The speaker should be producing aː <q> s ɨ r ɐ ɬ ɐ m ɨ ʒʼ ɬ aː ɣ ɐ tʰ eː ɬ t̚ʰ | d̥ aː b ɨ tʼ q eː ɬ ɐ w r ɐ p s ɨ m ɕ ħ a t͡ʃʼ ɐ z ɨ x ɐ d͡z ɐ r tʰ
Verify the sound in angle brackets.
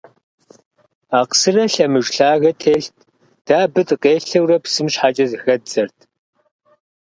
correct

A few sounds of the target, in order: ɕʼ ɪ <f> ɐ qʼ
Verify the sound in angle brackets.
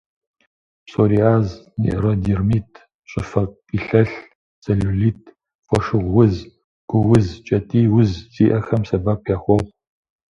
correct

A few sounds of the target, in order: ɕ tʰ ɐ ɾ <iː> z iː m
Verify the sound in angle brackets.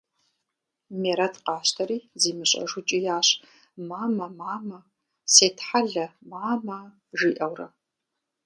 correct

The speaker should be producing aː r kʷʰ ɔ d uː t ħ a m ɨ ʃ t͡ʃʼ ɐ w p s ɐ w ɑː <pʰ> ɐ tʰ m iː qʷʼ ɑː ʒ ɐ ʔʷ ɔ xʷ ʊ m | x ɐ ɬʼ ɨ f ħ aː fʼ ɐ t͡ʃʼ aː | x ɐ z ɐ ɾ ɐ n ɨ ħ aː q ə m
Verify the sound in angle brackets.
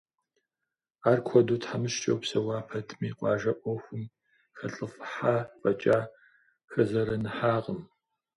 correct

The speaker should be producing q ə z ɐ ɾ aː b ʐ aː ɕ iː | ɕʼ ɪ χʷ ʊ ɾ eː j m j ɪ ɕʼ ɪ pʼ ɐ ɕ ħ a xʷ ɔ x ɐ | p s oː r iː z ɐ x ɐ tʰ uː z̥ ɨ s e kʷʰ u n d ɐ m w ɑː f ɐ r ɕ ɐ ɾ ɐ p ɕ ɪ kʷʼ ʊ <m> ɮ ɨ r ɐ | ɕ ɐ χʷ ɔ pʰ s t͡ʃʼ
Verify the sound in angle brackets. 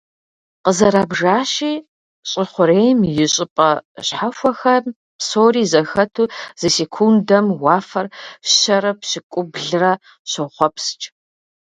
incorrect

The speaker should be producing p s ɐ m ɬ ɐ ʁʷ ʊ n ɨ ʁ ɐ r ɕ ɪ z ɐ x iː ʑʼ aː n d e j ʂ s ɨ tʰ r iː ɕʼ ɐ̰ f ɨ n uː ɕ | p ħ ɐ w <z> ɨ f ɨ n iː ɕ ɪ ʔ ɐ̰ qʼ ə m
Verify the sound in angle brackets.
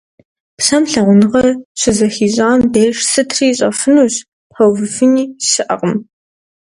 incorrect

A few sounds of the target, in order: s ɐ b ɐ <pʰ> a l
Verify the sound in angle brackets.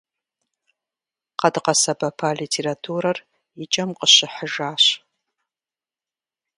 correct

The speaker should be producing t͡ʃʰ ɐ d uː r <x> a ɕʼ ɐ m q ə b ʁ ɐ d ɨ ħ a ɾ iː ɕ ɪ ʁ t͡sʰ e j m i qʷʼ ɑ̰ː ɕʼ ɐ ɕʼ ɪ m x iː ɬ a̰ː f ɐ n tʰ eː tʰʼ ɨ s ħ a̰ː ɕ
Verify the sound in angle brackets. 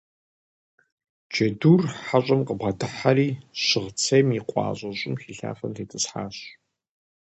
incorrect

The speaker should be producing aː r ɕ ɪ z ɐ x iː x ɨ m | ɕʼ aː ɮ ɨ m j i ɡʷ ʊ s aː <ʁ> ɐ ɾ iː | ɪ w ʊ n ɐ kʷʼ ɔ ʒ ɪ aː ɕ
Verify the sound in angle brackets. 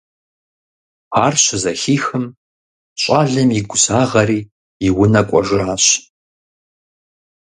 correct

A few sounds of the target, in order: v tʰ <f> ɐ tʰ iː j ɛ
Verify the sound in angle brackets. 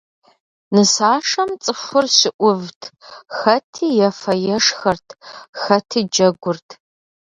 incorrect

